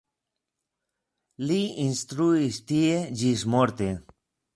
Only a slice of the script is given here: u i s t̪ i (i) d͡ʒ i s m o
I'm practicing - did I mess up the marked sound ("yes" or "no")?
yes